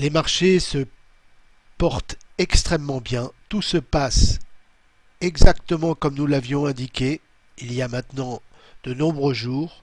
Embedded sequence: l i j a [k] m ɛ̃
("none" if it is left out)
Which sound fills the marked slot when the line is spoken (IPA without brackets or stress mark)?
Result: none